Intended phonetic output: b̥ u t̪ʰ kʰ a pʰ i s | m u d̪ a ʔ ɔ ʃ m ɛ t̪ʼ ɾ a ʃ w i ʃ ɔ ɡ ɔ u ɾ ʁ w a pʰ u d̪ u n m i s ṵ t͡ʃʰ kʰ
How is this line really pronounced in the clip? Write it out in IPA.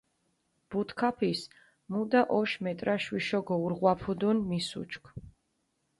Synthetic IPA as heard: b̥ u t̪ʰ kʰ a pʰ i s | m u d̪ a ʔ ɔ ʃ m ɛ t̪ʼ ɾ a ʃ w i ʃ ɔ ɡ ɔ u ɾ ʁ w a pʰ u d̪ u n m i s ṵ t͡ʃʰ kʰ